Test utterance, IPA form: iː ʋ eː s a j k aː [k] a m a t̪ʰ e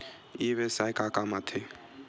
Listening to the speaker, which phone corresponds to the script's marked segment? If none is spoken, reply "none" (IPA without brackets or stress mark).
k